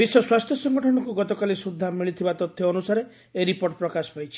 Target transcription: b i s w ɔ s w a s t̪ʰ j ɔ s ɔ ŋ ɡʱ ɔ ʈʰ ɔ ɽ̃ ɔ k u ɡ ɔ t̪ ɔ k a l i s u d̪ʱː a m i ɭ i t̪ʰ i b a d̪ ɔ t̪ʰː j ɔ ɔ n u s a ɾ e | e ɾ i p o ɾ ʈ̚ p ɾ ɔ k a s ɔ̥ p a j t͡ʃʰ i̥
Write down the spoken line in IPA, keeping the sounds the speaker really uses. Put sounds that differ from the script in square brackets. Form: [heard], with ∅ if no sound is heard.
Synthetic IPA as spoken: b i s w ɔ s w a s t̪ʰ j ɔ s ɔ ŋ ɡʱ ɔ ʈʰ ɔ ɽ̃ ɔ k u ɡ ɔ t̪ ɔ k a l i s u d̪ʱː a m i ɭ i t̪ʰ i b a [t̪] ɔ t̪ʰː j ɔ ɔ n u s a ɾ e | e ɾ i p o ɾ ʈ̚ p ɾ ɔ k a s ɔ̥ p a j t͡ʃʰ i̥